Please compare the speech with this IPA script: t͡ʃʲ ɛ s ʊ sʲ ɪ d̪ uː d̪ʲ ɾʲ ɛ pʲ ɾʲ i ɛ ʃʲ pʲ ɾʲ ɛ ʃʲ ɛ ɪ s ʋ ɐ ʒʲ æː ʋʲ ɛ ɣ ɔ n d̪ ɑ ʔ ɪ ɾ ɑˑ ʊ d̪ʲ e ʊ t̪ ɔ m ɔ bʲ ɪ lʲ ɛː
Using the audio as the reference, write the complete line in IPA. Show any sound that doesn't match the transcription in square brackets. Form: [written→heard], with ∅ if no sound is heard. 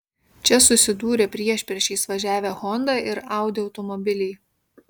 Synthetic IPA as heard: t͡ʃʲ ɛ s ʊ sʲ ɪ d̪ uː [d̪ʲ→∅] ɾʲ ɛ pʲ ɾʲ i ɛ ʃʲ pʲ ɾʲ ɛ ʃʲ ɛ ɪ s ʋ ɐ ʒʲ æː ʋʲ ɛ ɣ ɔ n d̪ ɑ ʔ ɪ ɾ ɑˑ ʊ d̪ʲ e ʊ t̪ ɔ m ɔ bʲ ɪ lʲ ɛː